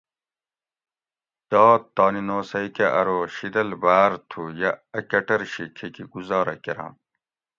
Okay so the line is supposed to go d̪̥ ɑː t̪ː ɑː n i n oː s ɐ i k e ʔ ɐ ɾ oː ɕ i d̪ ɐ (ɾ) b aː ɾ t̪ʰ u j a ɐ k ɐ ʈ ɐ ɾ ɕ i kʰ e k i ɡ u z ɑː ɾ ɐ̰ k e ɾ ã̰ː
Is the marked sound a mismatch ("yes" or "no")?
yes